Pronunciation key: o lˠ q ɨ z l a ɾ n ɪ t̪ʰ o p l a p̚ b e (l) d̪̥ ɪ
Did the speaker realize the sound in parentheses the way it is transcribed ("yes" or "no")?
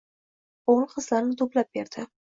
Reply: no